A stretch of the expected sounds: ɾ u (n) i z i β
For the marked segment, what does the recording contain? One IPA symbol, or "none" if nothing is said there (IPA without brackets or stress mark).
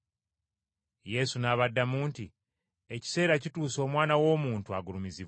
m